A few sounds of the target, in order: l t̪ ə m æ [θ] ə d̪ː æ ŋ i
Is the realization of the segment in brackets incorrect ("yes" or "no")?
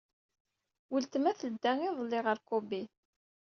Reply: no